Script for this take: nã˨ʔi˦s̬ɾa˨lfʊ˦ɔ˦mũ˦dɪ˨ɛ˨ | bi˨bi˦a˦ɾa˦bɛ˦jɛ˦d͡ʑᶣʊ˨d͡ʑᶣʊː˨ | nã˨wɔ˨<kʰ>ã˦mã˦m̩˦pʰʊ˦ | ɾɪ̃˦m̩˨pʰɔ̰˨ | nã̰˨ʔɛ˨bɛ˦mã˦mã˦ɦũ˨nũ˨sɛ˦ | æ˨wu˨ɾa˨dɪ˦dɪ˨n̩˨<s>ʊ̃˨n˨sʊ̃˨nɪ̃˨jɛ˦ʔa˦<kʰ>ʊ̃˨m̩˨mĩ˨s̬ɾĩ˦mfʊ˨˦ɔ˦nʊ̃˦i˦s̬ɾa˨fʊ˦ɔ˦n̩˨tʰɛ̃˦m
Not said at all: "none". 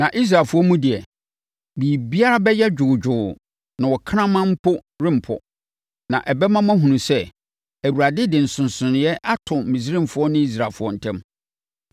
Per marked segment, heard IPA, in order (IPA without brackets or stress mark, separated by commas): kʰ, s, tʰ